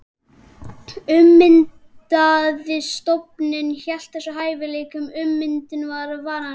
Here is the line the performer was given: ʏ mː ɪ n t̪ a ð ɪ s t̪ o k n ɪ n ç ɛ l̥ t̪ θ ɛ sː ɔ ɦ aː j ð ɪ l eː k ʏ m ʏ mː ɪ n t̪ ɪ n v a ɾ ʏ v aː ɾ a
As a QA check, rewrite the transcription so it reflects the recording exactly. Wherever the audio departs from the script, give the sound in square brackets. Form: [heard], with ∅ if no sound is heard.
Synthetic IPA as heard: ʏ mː ɪ n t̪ a ð ɪ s t̪ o [p] n ɪ n ç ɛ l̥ t̪ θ ɛ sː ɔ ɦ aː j [v] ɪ l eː k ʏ m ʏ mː ɪ n t̪ ɪ n v a ɾ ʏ v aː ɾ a